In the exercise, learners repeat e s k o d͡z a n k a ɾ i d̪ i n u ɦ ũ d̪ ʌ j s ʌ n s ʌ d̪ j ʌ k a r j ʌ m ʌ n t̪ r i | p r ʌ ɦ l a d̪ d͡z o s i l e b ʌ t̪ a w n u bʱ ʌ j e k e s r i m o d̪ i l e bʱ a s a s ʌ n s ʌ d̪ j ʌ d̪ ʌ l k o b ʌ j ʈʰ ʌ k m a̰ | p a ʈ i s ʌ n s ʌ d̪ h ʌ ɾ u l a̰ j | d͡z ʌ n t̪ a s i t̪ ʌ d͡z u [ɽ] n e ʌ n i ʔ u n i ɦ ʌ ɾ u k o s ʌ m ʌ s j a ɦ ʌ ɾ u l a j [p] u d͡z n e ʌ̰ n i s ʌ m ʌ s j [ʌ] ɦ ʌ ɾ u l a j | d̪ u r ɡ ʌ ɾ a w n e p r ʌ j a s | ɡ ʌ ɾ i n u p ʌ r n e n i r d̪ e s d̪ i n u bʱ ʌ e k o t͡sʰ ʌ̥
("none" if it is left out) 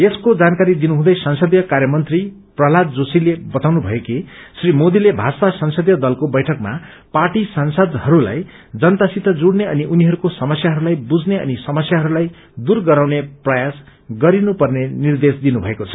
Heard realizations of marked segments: ɽ, b, a

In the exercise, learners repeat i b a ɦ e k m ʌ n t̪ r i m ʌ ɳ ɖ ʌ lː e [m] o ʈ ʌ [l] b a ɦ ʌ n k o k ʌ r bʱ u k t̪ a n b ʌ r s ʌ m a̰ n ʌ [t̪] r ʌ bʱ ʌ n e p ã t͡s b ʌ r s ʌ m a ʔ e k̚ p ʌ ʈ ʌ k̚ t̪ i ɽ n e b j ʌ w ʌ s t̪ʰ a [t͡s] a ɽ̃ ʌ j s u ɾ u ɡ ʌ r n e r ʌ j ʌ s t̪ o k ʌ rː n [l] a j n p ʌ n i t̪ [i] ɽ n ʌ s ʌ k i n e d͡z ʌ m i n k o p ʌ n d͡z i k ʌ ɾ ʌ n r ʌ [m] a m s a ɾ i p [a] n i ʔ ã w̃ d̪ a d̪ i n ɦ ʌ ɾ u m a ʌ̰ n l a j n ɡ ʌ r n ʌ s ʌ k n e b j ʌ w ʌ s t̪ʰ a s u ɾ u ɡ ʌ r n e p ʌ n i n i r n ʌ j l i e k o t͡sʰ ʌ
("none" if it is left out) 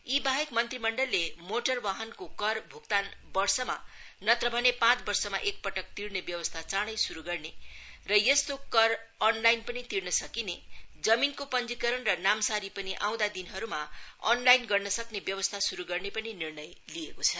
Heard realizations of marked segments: m, r, t̪, t͡s, l, i, n, ʌ

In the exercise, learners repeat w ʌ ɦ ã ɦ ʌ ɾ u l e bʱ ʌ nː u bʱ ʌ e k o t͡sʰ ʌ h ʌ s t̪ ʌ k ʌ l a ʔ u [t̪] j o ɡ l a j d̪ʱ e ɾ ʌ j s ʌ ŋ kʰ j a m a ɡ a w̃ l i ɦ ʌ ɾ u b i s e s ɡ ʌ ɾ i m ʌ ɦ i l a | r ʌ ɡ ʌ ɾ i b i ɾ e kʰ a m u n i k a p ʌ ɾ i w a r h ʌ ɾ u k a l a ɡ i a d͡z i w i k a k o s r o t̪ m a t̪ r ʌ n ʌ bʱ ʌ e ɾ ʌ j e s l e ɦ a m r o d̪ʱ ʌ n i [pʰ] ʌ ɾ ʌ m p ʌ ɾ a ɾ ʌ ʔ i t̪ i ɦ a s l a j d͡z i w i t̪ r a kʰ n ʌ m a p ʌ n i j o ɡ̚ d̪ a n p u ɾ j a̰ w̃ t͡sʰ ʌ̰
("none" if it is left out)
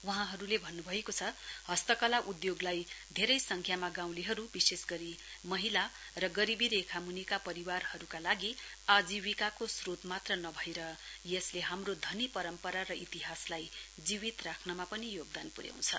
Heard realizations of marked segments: d̪, p

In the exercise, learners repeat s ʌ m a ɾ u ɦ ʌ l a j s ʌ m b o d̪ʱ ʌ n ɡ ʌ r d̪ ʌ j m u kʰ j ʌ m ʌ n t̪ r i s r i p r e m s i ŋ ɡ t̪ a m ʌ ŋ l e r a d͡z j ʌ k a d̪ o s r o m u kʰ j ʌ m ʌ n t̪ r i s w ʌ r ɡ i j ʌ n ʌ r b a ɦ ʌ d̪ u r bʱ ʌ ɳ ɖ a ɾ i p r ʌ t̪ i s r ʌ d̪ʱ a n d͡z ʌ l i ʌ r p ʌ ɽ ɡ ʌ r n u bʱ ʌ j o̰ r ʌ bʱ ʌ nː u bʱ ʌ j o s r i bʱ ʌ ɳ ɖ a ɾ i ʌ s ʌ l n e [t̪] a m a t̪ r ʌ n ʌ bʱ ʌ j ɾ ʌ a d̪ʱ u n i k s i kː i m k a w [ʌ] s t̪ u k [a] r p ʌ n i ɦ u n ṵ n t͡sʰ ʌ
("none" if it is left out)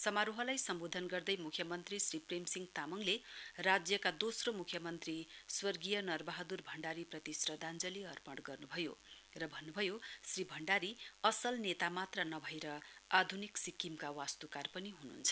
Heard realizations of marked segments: t̪, a, a

